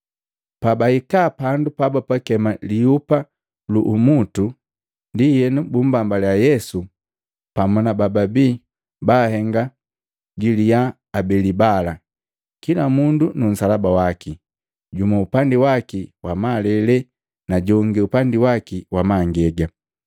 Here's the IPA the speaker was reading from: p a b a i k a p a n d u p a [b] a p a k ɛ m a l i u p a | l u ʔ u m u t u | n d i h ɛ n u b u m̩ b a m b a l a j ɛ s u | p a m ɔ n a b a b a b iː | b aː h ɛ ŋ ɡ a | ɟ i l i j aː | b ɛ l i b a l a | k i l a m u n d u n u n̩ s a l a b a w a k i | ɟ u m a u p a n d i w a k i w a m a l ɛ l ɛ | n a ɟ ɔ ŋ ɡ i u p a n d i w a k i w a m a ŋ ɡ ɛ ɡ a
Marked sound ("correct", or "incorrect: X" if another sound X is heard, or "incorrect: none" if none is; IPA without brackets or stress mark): correct